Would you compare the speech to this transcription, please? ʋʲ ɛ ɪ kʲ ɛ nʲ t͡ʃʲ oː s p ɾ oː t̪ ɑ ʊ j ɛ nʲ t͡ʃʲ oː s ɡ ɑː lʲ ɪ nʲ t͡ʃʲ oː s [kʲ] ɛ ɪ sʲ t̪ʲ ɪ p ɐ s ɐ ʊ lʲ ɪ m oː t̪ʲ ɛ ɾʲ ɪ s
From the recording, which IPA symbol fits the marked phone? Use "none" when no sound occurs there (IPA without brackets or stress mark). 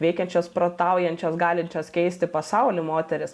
kʲ